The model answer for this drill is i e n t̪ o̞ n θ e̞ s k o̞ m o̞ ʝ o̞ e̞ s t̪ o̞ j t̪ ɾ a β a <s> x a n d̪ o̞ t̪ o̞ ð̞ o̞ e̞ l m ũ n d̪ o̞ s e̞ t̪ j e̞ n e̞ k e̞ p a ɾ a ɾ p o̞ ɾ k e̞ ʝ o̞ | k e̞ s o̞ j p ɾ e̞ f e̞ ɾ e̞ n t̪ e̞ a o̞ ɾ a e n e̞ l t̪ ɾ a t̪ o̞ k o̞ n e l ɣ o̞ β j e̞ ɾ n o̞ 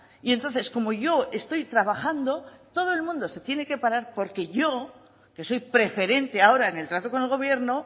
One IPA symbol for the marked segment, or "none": none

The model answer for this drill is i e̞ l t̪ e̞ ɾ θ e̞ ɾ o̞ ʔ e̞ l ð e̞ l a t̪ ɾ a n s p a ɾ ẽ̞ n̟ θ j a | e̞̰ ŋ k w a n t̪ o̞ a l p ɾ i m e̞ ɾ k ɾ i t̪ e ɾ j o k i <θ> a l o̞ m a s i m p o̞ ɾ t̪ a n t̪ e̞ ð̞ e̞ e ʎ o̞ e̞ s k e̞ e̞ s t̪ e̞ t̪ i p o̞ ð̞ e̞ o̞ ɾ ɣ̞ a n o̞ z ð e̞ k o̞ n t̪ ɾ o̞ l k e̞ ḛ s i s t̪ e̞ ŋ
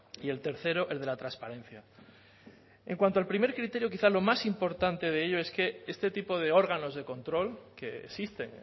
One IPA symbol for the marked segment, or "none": θ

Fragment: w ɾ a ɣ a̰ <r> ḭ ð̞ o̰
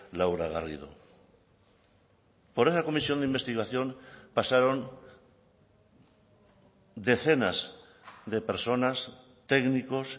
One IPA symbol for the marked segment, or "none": r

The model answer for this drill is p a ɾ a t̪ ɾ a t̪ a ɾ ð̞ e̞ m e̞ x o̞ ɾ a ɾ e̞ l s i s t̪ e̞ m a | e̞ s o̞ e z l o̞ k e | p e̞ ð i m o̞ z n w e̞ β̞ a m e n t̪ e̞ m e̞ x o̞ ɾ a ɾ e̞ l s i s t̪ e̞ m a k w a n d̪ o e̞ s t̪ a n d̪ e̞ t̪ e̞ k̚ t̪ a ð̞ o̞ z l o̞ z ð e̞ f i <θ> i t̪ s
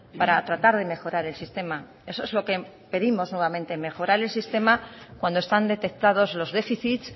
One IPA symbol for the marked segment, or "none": θ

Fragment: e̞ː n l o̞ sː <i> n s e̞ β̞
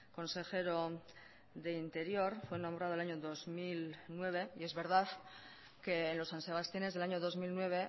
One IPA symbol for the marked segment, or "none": a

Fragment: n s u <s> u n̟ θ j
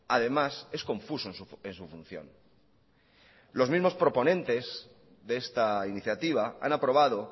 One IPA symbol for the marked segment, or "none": f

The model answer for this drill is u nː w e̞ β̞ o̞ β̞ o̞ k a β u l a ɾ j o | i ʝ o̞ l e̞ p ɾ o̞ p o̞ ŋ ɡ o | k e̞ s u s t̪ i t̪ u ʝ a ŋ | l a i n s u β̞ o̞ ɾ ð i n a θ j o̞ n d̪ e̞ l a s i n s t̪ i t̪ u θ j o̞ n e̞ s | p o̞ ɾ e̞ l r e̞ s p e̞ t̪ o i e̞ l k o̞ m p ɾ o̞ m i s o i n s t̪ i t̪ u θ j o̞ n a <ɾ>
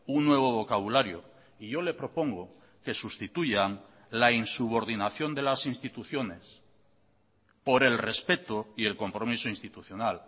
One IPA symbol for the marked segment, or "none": l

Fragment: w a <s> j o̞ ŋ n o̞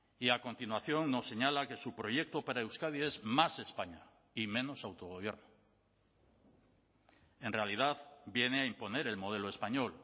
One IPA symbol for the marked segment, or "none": θ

